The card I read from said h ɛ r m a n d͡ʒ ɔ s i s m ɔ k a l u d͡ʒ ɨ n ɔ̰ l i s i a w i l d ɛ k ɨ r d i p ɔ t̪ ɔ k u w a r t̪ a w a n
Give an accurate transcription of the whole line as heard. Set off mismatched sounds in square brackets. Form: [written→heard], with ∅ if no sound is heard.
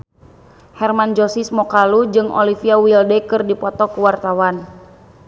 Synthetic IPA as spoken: h ɛ r m a n d͡ʒ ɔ s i s m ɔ k a l u d͡ʒ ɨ [n→ŋ] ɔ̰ l i [s→f] i a w i l d ɛ k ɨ r d i p ɔ t̪ ɔ k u w a r t̪ a w a n

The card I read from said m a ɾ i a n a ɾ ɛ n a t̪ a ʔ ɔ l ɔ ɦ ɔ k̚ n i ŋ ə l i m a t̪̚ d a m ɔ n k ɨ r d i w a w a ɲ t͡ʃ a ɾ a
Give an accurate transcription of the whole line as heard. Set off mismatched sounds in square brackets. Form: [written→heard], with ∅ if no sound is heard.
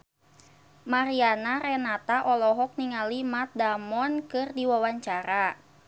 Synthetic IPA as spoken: m a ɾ i a n a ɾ ɛ n a t̪ a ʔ ɔ l ɔ ɦ ɔ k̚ n i ŋ [ə→a] l i m a t̪̚ d a m ɔ n k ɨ r d i w a w a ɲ t͡ʃ a ɾ a

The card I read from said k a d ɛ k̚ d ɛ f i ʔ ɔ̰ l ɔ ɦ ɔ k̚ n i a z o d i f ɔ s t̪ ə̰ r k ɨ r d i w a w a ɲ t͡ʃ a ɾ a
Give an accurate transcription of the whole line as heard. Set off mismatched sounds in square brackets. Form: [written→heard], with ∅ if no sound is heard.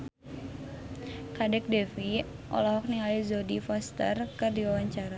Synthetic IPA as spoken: k a d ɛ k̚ d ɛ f i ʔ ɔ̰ l ɔ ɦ ɔ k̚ n i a z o d i f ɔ s t̪ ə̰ r k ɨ r d i w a w a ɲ t͡ʃ a ɾ a

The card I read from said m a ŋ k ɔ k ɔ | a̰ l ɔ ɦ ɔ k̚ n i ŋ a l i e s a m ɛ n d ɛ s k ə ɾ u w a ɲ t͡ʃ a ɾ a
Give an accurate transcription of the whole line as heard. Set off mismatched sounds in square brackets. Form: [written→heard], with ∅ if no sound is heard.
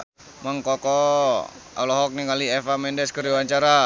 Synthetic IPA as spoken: m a ŋ k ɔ k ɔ | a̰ l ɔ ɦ ɔ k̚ n i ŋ a l i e [s→f] a m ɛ n d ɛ s k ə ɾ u w a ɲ t͡ʃ a ɾ a

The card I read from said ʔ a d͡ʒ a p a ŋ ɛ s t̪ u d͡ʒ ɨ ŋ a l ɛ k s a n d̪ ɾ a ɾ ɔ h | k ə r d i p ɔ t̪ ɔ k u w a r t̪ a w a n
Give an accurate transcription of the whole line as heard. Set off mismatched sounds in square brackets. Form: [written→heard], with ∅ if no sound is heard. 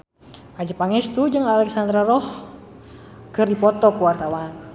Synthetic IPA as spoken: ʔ a d͡ʒ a p a ŋ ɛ s t̪ u d͡ʒ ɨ ŋ a l ɛ k s a n d̪ ɾ a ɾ ɔ h | k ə r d i p ɔ t̪ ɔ k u w a r t̪ a w a n

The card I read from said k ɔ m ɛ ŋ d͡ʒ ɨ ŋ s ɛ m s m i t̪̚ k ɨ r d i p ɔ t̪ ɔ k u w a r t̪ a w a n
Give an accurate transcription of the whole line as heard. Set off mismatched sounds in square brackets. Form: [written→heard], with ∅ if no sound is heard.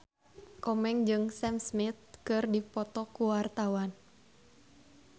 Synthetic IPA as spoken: k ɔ m ɛ ŋ d͡ʒ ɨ ŋ s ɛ m s m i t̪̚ k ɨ r d i p ɔ t̪ ɔ k u w a r t̪ a w a n

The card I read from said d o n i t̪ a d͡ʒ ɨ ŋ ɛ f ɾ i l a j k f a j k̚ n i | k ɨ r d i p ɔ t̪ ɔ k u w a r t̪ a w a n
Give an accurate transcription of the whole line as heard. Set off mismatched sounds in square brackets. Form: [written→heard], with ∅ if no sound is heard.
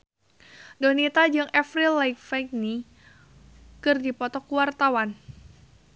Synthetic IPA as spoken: d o n i t̪ a d͡ʒ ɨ ŋ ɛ f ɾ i l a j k f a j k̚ n i | k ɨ r d i p ɔ t̪ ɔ k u w a r t̪ a w a n

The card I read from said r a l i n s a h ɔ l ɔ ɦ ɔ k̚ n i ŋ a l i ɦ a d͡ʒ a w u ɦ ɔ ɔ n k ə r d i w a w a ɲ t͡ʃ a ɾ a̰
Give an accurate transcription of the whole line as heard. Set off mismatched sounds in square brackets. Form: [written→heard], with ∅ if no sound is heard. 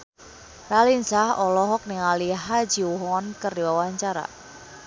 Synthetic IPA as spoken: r a l i n s a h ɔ l ɔ ɦ ɔ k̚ n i ŋ a l i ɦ a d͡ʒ [a→i] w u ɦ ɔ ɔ n k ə r d i w a w a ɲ t͡ʃ a ɾ a̰

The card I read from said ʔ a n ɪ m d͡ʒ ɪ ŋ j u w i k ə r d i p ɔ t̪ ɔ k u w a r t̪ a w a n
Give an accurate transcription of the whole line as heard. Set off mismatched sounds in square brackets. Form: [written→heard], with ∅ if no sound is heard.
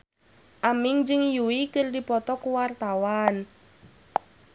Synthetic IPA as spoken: ʔ a [n→m] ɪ [m→ŋ] d͡ʒ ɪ ŋ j u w i k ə r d i p ɔ t̪ ɔ k u w a r t̪ a w a n

